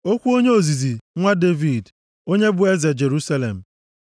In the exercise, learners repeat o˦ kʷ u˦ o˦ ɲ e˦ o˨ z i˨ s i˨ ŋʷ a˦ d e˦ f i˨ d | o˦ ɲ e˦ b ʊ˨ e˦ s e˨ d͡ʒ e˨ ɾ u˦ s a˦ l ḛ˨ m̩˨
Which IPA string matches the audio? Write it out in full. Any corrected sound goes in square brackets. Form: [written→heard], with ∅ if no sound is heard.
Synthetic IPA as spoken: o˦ kʷ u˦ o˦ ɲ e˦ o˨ z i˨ [s→z] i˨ ŋʷ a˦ d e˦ [f→v] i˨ d | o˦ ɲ e˦ b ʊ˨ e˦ [s→z] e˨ d͡ʒ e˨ ɾ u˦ s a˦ l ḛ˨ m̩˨

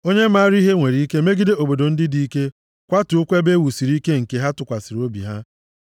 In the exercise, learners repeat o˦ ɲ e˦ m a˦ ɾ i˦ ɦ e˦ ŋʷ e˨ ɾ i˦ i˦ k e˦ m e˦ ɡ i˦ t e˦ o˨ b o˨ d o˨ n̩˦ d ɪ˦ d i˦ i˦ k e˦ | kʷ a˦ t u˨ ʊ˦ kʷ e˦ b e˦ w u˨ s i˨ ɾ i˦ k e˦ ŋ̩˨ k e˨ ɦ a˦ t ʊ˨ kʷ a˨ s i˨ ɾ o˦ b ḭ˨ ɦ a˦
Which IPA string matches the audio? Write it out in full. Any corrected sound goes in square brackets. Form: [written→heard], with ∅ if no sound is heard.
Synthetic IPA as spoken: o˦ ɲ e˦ m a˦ ɾ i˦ ɦ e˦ ŋʷ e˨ ɾ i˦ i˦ k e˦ m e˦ ɡ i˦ [t→d] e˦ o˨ b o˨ d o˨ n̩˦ d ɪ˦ d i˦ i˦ k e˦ | kʷ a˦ t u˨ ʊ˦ kʷ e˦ b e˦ w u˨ s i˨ ɾ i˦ k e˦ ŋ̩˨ k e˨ ɦ a˦ t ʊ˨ kʷ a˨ s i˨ ɾ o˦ b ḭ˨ ɦ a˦

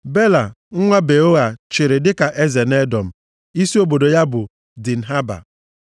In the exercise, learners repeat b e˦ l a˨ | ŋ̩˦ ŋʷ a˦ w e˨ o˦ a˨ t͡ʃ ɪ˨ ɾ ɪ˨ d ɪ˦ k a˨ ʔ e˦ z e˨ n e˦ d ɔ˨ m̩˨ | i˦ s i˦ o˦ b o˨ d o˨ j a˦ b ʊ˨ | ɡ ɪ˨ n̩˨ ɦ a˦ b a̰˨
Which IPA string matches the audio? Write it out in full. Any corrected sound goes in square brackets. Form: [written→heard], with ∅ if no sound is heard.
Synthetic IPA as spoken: b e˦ l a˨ | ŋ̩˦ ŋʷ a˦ [w→b] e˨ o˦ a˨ t͡ʃ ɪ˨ ɾ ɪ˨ d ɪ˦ k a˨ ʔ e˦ z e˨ n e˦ d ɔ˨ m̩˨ | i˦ s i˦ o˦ b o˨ d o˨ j a˦ b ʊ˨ | [ɡ→d] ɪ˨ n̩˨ ɦ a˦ b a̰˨

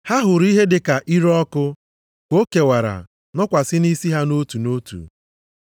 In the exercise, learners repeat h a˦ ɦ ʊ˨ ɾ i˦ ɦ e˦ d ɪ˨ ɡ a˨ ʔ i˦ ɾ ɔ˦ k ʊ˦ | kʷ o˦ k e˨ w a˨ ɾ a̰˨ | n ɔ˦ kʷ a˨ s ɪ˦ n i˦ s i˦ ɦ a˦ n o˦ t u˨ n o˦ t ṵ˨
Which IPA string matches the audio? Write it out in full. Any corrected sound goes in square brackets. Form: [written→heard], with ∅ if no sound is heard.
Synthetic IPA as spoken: h a˦ ɦ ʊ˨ ɾ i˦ ɦ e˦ d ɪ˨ [ɡ→k] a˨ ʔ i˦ ɾ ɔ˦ k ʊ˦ | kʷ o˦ k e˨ w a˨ ɾ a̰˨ | n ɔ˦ kʷ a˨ s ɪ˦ n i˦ s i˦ ɦ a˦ n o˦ t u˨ n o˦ t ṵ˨

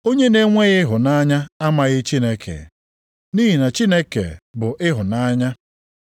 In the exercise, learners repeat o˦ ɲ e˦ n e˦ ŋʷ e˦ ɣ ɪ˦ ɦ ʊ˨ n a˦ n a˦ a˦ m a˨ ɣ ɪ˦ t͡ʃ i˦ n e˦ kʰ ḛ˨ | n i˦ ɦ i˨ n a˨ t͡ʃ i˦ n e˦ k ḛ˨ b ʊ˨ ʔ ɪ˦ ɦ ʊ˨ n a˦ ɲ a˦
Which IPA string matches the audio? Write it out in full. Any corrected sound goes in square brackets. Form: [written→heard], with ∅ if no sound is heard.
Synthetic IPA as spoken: o˦ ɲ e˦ n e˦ ŋʷ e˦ ɣ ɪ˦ ɦ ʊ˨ n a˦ [n→ɲ] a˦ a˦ m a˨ ɣ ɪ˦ t͡ʃ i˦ n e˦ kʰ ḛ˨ | n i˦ ɦ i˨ n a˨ t͡ʃ i˦ n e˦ k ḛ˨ b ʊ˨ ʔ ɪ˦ ɦ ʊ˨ n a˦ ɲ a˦

